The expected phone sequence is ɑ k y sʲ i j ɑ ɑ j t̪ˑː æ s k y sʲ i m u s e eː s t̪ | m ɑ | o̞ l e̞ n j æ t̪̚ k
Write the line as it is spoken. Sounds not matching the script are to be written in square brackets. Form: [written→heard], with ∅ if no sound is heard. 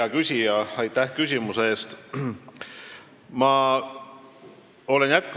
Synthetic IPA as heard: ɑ k y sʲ i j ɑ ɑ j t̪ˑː æ [s→h] k y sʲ i m u s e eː s t̪ | m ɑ | o̞ l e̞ n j æ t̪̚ k